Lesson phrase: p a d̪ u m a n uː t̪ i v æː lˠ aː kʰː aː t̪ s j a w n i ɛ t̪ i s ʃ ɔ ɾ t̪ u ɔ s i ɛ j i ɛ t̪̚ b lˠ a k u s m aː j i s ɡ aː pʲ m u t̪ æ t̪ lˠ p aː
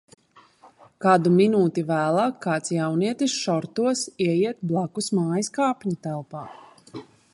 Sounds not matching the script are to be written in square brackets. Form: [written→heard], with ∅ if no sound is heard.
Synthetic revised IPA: [p→k] a d̪ u m [a→i] n uː t̪ i v æː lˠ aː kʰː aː t̪ s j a w n i ɛ t̪ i s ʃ ɔ ɾ t̪ u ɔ s i ɛ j i ɛ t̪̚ b lˠ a k u s m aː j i s [ɡ→k] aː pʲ [m→ɲ] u t̪ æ [t̪→∅] lˠ p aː